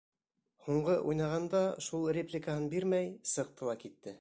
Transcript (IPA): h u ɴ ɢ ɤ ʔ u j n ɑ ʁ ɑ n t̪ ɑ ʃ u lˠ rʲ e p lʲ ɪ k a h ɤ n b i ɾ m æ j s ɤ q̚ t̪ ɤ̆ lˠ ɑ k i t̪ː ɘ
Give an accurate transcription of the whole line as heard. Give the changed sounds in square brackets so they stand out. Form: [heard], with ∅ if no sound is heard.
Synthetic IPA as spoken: h u ɴ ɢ ɤ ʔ u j n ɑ ʁ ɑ n [d̪] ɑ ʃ u lˠ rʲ e p lʲ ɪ k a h ɤ n b i ɾ m æ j s ɤ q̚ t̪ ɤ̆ lˠ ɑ k i t̪ː ɘ